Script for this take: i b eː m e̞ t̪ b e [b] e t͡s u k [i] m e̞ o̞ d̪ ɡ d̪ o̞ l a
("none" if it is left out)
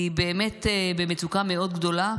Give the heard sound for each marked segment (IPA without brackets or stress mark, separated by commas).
m, a